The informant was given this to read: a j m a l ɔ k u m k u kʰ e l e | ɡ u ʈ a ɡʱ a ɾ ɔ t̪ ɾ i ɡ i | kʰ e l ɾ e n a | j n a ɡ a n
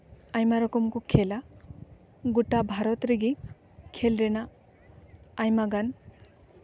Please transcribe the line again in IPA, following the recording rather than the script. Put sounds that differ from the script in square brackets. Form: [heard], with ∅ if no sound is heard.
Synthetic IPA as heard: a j m a [ɾ] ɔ k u m k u kʰ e l [a] | ɡ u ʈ a [bʱ] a ɾ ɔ t̪ ɾ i ɡ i | kʰ e l ɾ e n a | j [m] a ɡ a n